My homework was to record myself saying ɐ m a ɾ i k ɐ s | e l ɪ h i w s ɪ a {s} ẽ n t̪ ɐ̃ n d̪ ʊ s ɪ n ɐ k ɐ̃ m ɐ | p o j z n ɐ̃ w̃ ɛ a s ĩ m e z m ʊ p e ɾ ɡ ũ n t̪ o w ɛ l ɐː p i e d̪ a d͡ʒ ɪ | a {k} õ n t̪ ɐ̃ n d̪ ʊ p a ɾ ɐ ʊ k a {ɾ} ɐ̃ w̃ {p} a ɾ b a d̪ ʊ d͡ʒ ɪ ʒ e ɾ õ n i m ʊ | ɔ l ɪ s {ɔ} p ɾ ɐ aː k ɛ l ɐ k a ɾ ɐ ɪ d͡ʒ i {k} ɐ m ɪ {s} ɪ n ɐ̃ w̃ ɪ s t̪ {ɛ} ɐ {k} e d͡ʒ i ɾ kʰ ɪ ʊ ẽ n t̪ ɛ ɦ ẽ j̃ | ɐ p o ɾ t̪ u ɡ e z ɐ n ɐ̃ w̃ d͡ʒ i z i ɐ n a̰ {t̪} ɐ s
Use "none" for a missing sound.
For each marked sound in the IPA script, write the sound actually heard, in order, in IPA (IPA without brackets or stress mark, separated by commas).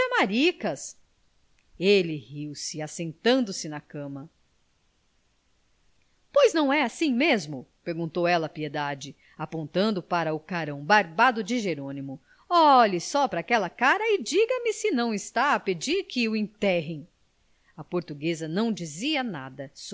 s, p, ɾ, b, ɔ, ɡ, s, a, p, d̪